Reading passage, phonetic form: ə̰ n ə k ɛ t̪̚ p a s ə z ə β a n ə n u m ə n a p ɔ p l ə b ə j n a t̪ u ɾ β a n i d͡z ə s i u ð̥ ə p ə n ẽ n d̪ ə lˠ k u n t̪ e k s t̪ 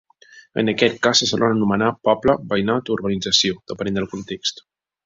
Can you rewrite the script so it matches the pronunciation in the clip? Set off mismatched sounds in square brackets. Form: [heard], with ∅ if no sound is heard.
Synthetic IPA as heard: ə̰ n ə k ɛ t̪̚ [k] a s ə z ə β a n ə n u m ə n a p ɔ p l ə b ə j n a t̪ u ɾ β [ə] n i d͡z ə s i [o] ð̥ ə p ə n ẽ n d̪ ə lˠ k u n t̪ e k s t̪